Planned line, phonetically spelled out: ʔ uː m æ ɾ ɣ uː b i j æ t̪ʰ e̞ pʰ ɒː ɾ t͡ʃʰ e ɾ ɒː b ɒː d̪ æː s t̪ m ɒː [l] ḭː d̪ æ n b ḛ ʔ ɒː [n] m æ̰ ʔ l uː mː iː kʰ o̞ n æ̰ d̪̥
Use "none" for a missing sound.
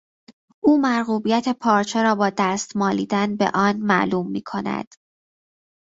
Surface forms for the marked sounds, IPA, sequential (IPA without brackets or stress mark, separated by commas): l, n